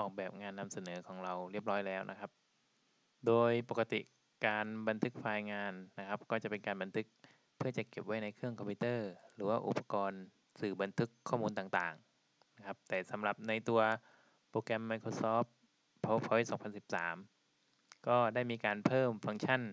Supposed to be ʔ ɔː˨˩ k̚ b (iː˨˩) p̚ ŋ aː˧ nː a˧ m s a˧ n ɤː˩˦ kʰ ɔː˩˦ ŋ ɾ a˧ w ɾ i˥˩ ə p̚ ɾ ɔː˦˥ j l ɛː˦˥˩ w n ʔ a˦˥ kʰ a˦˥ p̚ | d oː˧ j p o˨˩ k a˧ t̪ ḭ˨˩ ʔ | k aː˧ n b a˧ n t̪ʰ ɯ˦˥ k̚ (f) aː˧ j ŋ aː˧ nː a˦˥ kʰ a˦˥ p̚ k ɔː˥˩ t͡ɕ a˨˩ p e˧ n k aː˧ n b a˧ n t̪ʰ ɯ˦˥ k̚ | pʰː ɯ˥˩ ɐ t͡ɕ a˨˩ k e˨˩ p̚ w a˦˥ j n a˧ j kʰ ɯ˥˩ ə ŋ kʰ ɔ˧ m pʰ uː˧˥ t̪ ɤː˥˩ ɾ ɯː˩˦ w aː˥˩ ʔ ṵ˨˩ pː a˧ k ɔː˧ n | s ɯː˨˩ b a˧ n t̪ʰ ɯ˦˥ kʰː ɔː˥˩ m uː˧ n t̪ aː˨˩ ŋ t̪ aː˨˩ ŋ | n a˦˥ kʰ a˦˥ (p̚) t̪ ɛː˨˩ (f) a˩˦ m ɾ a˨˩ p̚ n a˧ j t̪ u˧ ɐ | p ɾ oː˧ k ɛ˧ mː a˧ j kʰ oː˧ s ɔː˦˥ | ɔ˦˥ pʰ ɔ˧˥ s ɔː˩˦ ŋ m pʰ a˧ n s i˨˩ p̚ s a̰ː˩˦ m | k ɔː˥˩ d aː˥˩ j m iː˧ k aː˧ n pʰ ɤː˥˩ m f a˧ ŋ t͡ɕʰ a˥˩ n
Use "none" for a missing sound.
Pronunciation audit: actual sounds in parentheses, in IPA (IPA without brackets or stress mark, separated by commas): ɛː˨˩, f, p̚, s